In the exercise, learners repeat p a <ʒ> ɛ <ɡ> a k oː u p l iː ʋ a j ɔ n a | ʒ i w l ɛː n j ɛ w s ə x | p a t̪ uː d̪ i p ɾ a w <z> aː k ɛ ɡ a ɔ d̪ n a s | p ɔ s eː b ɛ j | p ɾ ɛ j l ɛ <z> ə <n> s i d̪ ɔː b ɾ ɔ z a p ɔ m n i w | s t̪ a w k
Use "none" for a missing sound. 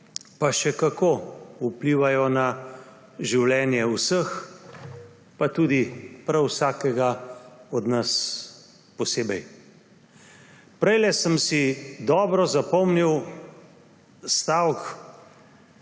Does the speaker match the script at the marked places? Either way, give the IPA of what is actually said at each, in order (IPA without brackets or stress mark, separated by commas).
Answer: ʃ, k, s, s, m